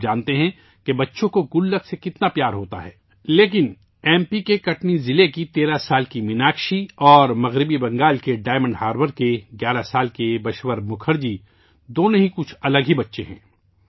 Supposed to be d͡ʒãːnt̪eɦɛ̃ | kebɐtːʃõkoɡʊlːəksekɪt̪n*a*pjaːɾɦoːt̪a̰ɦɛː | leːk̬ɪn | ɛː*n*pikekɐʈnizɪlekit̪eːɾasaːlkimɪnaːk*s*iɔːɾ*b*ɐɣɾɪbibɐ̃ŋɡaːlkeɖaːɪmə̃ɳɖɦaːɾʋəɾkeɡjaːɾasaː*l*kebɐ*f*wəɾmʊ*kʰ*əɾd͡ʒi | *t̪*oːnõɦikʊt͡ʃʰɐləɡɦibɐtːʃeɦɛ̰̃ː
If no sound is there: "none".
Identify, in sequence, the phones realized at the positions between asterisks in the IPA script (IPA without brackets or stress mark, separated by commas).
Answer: a, m, ʃ, m, l, ʃ, kʰ, d̪